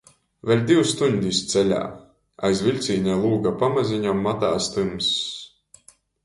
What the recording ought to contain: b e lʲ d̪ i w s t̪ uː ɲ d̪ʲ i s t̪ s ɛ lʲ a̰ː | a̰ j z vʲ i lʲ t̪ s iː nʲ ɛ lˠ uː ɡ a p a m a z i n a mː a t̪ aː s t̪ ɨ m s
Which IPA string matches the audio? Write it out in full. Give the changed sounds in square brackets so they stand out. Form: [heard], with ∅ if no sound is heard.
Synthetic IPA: [v] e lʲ d̪ i w s t̪ [u] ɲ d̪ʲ i s t̪ s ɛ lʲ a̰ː | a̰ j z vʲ i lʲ t̪ s iː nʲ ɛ lˠ uː ɡ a p a m a z i [ɲ] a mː a t̪ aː s t̪ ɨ m s